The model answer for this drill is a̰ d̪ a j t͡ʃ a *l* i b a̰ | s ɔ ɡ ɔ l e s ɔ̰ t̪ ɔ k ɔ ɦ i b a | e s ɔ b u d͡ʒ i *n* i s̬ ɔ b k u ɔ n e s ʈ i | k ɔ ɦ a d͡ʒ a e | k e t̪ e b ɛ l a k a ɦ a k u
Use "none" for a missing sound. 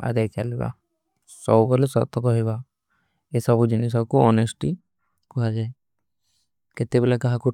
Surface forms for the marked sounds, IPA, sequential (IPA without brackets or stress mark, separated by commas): l, n